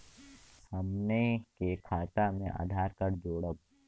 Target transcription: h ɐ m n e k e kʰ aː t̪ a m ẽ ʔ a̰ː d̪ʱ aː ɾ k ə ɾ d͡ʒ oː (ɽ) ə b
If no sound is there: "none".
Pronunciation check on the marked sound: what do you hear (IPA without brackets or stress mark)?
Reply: ɽ